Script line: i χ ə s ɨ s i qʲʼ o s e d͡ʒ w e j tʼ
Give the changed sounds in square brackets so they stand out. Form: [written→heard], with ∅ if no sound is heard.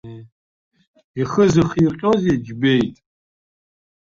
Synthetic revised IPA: i χ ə [s→z] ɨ [s→χ] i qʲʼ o [s→z] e d͡ʒ [w→b] e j tʼ